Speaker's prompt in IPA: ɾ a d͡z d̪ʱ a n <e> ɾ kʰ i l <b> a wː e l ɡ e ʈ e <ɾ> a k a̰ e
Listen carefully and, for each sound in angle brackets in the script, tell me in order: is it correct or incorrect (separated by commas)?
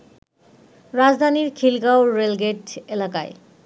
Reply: incorrect, incorrect, incorrect